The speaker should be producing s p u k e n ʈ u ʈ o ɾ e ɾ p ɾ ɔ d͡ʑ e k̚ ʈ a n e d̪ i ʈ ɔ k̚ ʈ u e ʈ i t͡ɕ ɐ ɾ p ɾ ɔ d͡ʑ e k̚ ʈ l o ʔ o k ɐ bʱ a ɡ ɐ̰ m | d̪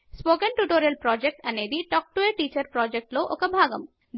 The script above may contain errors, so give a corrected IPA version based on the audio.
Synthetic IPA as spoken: s p o k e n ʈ u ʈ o ɾ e l p ɾ ɔ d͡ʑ e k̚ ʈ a n e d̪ i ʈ ɔ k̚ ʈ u e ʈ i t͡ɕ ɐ ɾ p ɾ ɔ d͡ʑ e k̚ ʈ l o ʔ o k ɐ bʱ a ɡ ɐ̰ m | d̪

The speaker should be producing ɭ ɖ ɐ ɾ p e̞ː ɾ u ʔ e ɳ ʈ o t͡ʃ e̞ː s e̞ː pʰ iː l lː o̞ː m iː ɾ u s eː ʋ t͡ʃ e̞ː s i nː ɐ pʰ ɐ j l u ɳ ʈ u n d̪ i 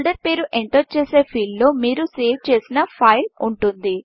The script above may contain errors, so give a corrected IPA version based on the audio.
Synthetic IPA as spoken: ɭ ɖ ɐ ɾ p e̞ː ɾ u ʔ e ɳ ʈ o t͡ʃ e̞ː s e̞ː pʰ iː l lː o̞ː m iː ɾ u s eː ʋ t͡ʃ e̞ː s i n ɐ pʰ ɐ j l u ɳ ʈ u n d̪ i

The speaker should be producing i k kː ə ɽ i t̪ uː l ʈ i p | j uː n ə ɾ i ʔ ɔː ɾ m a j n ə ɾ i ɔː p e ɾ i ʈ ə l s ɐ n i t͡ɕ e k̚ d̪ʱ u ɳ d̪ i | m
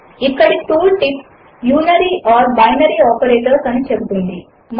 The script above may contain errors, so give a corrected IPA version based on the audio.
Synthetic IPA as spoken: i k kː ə ɽ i t̪ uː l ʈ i p | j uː n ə ɾ i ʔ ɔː ɾ b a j n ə ɾ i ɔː p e ɾ e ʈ ə ɾ s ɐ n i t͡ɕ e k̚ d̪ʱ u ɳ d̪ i | m

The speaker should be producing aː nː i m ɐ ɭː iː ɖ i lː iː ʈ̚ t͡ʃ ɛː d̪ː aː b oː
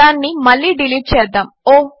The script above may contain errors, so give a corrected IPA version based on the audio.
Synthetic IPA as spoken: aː nː i m ɐ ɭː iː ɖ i l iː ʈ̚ t͡ʃ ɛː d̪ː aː m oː

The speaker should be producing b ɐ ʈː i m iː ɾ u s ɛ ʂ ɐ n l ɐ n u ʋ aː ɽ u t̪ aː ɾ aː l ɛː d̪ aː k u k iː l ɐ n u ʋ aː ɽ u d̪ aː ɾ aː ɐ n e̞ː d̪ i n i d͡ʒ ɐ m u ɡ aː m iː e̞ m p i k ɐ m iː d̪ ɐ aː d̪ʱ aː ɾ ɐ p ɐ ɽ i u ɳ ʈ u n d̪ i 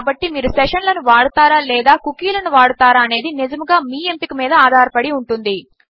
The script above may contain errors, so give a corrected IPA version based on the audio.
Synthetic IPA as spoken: b ɐ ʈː i m iː ɾ u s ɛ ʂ ɐ n l ɐ n u ʋ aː ɽ u t̪ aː ɾ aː l ɛː d̪ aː k u k iː l ɐ n u ʋ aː ɽ u t̪ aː ɾ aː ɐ n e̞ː d̪ i n i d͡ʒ ɐ m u ɡ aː m iː e̞ m p i k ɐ m iː d̪ ɐ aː d̪ʱ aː ɾ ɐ p ɐ ɽ i u ɳ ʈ u n d̪ i

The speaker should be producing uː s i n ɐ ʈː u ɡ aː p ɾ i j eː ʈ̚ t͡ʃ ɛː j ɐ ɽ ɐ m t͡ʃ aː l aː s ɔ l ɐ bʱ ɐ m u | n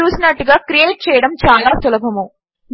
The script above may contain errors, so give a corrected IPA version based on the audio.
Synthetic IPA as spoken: uː s i n ɐ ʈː u ɡ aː k ɾ i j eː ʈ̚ t͡ʃ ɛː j ɐ ɽ ɐ m t͡ʃ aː l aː s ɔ l ɐ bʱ ɐ m u | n

